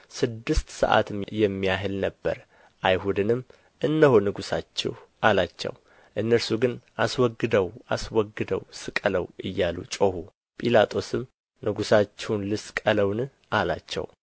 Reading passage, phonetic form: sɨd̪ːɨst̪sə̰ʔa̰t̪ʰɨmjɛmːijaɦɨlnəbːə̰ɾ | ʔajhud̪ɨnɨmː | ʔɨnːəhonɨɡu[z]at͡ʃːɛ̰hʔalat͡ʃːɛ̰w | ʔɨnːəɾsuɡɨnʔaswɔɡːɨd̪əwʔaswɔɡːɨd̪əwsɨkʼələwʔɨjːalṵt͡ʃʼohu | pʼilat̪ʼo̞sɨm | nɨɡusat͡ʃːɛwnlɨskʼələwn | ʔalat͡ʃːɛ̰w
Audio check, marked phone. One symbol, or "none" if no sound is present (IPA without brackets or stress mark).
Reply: s